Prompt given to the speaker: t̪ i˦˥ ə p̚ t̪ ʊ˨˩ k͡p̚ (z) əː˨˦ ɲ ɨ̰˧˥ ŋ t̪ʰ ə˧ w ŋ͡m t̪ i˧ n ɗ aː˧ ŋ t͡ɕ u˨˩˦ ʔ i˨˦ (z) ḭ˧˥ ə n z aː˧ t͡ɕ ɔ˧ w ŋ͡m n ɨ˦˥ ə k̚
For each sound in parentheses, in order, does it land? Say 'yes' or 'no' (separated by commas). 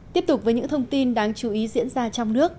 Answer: no, yes